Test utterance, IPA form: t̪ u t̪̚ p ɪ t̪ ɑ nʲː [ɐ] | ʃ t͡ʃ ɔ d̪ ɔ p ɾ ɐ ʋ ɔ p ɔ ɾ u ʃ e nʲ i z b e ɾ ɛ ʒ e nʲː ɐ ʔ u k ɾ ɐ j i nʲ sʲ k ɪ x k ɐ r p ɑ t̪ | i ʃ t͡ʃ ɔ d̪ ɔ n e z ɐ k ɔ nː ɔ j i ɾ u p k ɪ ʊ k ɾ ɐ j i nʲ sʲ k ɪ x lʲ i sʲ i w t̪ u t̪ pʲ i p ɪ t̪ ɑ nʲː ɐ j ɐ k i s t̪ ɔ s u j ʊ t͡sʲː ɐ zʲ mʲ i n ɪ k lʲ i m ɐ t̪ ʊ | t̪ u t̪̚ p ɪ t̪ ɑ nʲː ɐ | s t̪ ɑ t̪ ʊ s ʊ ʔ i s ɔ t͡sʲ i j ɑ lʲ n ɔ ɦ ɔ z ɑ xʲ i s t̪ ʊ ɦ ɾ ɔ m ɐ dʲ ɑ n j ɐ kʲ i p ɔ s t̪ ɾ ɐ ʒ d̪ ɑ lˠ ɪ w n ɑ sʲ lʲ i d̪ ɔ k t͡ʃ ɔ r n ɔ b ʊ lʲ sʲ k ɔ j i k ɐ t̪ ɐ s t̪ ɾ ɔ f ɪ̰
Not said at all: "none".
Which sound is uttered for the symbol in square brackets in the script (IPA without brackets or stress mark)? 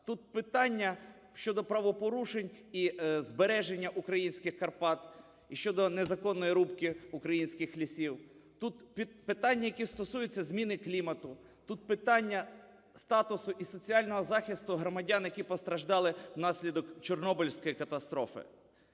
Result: ɐ